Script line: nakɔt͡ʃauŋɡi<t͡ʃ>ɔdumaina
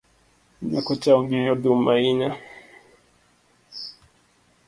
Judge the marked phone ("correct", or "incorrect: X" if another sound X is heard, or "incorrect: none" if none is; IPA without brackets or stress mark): incorrect: none